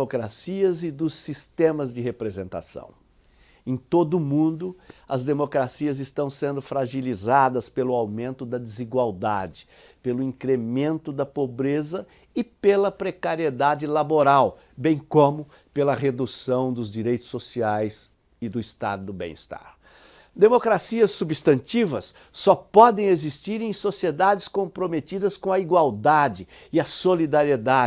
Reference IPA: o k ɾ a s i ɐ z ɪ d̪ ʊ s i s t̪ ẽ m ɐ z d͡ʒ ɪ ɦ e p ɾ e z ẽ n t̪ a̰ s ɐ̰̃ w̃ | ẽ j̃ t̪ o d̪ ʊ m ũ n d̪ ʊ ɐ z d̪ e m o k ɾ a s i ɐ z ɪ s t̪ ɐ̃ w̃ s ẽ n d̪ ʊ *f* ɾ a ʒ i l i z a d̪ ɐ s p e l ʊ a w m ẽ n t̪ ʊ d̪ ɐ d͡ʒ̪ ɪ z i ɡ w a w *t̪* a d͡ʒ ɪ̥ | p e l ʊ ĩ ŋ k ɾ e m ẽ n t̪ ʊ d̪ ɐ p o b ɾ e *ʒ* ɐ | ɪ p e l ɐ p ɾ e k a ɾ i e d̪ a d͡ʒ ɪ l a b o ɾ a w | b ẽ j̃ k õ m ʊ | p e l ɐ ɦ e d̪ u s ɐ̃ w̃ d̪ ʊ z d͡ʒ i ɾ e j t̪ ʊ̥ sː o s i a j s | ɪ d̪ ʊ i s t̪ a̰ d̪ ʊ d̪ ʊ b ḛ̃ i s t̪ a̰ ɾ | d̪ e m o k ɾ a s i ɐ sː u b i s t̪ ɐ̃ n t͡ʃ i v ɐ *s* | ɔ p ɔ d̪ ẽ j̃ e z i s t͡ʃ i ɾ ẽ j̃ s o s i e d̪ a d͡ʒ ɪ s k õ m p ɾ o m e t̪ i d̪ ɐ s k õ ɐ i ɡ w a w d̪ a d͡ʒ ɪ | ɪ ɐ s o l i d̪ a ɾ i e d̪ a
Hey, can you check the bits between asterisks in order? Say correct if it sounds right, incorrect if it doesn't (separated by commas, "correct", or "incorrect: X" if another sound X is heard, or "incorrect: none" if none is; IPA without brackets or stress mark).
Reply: correct, incorrect: d̪, incorrect: z, incorrect: sː